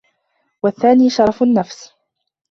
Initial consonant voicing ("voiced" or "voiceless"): voiced